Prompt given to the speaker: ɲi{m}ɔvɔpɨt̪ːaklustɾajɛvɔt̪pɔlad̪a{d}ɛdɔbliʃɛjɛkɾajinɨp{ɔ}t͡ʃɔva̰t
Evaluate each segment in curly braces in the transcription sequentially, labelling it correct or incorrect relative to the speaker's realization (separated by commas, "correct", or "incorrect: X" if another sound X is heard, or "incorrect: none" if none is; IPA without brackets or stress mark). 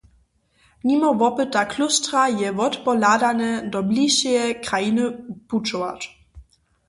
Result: correct, incorrect: n, incorrect: u